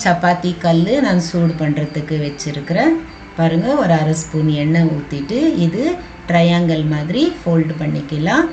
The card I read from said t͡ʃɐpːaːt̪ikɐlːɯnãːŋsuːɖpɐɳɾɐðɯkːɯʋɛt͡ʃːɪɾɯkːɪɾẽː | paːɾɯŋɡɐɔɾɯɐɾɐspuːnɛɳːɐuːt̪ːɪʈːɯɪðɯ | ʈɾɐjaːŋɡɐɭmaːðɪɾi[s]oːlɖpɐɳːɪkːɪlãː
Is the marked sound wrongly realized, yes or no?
yes